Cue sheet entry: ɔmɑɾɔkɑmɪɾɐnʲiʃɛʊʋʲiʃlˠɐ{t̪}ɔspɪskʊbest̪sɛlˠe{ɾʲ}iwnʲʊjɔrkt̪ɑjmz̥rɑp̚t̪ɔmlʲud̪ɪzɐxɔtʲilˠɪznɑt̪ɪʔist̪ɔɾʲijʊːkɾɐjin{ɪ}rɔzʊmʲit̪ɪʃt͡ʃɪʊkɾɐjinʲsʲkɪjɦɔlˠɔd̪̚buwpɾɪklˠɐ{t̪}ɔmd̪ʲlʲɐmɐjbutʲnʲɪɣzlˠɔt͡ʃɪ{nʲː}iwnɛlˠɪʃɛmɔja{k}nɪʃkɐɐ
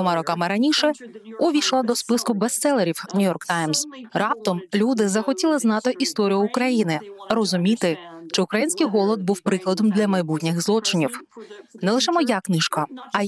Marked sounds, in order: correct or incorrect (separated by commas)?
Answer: incorrect, correct, correct, incorrect, incorrect, correct